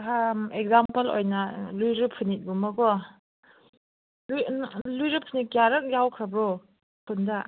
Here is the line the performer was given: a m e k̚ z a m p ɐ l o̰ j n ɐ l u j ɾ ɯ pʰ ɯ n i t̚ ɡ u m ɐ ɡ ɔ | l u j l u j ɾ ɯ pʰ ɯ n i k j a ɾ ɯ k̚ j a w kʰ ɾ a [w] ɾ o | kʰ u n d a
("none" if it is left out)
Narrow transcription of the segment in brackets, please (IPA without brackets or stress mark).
b